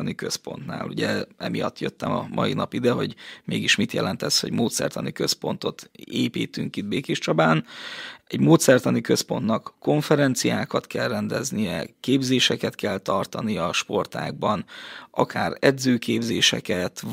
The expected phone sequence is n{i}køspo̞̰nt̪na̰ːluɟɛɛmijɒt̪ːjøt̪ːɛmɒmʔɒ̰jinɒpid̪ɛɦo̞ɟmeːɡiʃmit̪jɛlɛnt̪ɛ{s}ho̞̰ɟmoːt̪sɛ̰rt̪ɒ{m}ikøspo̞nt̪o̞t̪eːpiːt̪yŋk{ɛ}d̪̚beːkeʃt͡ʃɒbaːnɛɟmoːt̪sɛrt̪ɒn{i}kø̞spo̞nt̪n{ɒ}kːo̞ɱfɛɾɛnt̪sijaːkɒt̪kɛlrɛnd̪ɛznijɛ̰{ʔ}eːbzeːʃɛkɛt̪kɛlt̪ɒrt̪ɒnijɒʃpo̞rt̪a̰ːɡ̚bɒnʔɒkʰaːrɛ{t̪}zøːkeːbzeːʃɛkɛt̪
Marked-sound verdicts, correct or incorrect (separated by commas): correct, correct, incorrect, incorrect, correct, correct, incorrect, incorrect